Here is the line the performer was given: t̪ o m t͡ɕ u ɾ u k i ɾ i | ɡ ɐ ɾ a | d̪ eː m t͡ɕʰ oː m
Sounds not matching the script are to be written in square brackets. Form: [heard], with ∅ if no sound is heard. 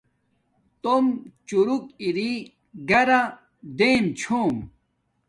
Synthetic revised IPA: t̪ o m t͡ɕ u ɾ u k i ɾ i | ɡ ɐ ɾ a | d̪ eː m t͡ɕʰ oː m